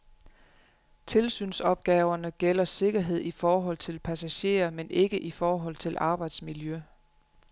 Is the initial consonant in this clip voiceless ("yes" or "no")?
yes